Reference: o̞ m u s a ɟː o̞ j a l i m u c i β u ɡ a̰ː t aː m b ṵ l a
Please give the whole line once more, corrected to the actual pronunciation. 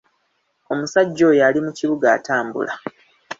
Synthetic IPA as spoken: o̞ m u s a ɟː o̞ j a l i m u c i β u ɡ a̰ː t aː m b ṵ l a